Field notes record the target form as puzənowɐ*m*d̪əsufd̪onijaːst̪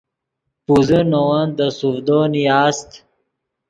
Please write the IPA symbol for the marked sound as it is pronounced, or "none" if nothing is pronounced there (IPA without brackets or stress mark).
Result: n